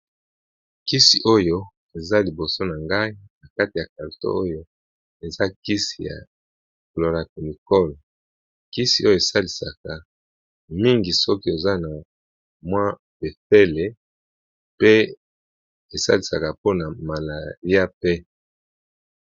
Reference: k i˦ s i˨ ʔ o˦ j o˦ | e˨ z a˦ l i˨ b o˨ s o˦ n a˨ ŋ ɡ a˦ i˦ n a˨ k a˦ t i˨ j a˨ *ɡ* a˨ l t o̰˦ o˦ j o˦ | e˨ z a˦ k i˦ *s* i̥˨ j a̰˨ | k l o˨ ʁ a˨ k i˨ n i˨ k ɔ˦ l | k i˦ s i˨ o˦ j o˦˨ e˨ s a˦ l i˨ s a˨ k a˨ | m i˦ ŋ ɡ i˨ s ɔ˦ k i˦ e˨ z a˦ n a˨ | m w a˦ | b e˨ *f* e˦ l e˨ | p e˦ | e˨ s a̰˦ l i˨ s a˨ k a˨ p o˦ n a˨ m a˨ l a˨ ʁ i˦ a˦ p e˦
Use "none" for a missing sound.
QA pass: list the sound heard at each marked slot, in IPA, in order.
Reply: k, s, f

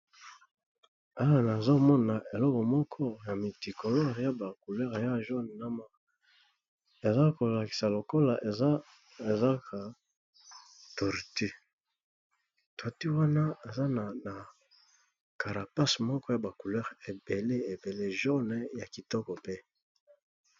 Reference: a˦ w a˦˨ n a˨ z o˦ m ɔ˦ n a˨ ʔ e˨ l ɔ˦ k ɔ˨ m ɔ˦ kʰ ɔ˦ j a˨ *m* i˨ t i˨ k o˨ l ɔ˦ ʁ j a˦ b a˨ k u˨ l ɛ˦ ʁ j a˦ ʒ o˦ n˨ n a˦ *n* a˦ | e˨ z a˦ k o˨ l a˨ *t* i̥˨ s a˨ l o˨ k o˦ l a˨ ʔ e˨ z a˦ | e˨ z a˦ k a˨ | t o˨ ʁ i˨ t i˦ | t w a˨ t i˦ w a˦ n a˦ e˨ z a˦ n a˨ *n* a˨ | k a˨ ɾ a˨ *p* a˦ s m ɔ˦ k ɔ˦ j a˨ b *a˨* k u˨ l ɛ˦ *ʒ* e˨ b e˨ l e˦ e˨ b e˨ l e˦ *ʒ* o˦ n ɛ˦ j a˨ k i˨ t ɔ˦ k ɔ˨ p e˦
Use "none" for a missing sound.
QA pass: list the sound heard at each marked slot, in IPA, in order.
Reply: m, m, k, n, p, a˨, ʁ, ʒ

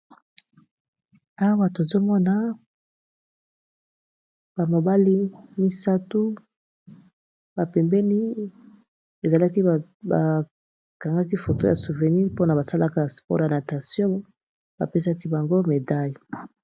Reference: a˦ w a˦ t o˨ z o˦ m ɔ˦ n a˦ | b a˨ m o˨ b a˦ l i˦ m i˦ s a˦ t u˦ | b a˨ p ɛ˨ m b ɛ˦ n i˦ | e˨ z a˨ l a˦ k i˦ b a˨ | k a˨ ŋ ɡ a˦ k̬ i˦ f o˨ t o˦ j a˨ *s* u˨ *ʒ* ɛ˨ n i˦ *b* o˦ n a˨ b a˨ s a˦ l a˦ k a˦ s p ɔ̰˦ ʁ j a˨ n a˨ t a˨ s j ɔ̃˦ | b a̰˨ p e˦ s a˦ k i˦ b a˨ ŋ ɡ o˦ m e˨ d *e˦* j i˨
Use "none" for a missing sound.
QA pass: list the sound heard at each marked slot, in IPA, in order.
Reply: s, v, p, a˦

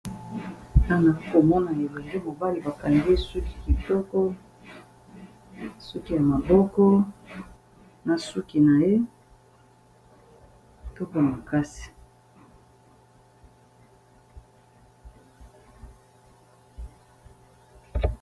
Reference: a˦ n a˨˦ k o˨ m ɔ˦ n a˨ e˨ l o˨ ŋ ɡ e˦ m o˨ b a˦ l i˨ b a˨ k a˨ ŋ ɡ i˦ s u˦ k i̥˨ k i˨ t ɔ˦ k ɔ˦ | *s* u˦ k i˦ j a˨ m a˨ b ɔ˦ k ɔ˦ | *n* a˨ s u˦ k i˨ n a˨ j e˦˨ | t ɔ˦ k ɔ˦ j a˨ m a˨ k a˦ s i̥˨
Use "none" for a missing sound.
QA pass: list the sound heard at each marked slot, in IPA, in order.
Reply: s, n

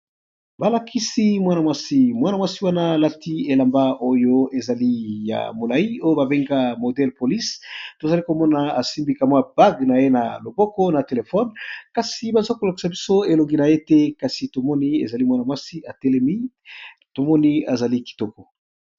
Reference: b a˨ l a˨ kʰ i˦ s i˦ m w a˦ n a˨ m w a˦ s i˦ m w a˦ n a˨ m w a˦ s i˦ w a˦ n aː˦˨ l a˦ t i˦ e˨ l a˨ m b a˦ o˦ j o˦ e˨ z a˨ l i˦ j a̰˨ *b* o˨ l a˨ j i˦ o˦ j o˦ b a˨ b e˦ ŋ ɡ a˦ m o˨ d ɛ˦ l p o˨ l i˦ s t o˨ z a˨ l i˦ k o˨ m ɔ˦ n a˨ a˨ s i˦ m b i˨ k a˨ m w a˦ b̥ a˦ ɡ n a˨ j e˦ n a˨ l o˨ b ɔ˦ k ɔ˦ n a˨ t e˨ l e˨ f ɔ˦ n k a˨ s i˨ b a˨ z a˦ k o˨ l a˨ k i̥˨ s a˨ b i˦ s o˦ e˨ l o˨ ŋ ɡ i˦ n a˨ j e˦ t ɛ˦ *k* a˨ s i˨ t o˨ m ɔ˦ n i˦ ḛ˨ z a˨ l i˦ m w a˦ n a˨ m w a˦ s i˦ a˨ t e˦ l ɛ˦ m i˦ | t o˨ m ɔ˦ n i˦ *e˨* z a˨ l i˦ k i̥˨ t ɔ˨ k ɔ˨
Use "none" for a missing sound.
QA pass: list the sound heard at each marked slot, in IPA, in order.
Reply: m, k, a˨

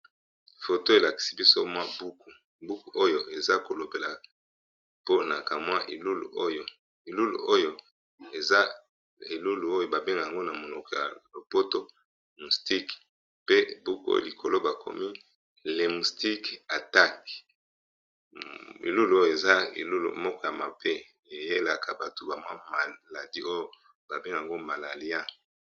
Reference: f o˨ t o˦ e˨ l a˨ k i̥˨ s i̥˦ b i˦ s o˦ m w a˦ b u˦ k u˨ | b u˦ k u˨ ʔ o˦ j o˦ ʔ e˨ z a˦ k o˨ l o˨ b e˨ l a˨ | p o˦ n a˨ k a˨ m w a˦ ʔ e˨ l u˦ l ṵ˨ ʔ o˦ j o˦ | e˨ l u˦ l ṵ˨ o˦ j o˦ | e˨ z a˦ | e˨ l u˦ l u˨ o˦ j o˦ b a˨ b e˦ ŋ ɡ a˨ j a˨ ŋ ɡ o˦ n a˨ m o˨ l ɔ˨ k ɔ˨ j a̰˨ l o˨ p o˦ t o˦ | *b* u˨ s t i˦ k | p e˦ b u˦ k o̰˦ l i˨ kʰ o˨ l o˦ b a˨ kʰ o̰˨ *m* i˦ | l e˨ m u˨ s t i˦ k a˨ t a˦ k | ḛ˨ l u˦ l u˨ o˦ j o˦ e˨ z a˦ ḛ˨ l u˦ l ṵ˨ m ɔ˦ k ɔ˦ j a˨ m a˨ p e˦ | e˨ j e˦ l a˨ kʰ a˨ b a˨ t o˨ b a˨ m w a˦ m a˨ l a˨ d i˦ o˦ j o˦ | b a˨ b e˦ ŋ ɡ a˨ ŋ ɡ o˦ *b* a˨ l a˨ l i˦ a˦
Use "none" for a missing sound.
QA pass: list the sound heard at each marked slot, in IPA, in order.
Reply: m, m, m

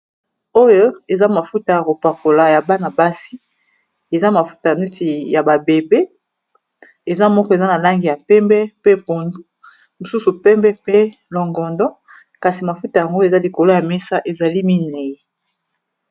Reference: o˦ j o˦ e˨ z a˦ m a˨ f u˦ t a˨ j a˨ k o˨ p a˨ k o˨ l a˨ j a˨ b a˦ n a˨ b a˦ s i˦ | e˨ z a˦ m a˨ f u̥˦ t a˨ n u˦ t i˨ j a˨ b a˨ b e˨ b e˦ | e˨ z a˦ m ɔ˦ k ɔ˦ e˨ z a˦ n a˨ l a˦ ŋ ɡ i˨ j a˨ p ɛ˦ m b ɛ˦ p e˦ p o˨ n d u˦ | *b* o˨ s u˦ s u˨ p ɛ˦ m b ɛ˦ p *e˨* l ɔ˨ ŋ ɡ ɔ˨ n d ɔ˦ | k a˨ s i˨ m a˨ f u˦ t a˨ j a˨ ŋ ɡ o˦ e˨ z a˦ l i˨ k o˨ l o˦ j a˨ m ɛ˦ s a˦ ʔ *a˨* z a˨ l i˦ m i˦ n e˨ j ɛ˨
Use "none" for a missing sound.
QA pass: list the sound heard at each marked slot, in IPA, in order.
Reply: m, e˦, e˨

